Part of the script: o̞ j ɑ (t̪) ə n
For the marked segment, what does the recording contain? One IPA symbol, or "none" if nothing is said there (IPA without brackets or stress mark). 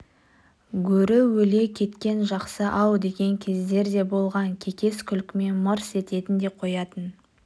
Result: t̪